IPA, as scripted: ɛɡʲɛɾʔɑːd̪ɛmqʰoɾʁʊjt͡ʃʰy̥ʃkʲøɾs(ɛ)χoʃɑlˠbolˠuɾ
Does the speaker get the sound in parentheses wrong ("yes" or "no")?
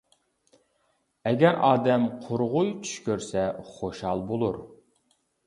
no